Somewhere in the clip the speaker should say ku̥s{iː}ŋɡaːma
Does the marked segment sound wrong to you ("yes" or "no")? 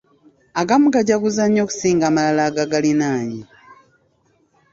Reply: no